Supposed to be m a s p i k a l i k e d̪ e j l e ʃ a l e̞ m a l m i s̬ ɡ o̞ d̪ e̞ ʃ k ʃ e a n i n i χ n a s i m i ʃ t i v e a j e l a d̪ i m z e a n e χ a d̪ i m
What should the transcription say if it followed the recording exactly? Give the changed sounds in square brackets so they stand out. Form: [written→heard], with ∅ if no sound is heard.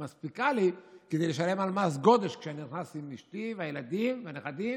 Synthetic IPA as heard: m a s p i k a l i k e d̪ e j l e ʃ a l e̞ m a l m [i→a] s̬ ɡ o̞ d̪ e̞ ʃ k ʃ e a n i n i χ n a s i m i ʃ t i v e a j e l a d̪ i m [z→v] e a n e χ a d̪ i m